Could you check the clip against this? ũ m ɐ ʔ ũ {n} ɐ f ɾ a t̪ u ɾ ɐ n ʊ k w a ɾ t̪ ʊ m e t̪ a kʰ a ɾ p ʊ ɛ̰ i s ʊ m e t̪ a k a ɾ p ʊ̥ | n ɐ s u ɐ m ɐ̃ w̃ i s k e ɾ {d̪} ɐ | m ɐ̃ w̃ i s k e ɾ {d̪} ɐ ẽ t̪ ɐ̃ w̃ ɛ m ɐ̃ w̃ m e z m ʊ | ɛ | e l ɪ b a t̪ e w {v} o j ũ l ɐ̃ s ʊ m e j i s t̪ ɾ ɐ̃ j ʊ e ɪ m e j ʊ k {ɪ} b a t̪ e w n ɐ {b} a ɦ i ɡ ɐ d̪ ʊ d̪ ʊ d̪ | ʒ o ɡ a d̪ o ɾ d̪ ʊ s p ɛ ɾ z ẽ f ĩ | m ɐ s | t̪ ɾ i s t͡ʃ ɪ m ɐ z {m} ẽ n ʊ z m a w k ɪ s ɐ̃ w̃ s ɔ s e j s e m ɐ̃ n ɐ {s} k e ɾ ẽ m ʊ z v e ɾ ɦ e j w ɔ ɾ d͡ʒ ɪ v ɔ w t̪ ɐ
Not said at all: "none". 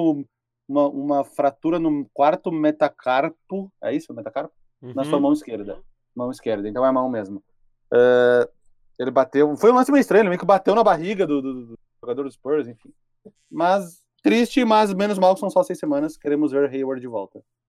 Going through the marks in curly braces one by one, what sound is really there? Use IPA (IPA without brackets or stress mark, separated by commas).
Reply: m, d̪, d̪, f, ɪ, b, m, s